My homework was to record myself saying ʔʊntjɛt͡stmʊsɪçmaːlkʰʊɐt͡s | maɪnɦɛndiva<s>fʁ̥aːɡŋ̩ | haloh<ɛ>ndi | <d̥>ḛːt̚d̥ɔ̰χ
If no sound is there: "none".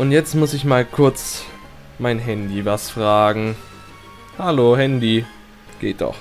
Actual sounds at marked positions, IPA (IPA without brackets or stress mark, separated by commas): s, ɛ, ɡ̥